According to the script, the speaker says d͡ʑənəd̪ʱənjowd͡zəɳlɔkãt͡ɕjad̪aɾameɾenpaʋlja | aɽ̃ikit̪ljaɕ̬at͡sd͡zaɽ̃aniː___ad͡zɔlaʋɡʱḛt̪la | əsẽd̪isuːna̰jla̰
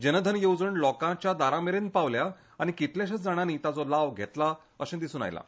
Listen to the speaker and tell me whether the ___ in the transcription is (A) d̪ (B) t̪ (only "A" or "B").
B